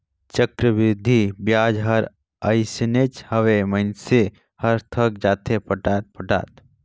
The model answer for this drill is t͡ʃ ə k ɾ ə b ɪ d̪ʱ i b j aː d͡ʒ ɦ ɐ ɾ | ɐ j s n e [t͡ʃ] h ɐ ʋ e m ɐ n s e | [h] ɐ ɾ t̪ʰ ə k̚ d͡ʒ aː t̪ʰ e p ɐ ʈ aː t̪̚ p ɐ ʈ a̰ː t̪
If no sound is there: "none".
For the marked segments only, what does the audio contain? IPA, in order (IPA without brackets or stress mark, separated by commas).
t͡ʃ, h